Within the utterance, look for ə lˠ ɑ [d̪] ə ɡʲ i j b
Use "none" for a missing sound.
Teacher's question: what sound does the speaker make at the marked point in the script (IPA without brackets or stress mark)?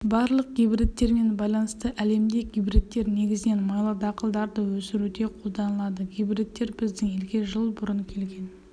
d̪